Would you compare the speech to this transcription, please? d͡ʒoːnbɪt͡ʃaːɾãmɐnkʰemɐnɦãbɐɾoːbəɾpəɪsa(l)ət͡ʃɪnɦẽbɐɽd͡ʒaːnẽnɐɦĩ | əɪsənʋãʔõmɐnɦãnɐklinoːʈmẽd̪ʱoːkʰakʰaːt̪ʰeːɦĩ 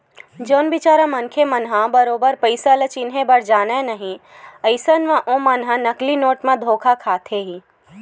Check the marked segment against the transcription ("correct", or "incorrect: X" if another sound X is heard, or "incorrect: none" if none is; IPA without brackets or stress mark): correct